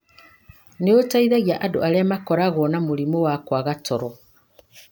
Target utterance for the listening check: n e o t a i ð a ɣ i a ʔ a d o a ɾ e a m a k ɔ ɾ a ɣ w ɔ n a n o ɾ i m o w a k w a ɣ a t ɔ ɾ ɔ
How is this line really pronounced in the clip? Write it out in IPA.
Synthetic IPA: n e o t a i ð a ɣ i a ʔ a d o a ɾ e a m a k ɔ ɾ a ɣ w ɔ n a m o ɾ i m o w a k w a ɣ a t ɔ ɾ ɔ